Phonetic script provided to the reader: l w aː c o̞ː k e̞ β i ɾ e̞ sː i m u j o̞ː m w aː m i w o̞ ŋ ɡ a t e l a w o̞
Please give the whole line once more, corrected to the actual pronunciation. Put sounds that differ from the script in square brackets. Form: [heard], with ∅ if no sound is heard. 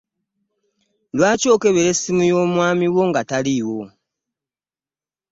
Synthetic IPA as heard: l w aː c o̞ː k e̞ β [e] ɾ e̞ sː i m u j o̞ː m w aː m i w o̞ ŋ ɡ a t [a] l [i] w o̞